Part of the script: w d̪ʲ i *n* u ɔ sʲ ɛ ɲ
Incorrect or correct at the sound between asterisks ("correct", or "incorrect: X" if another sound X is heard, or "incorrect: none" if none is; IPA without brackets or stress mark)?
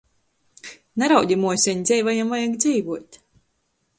incorrect: m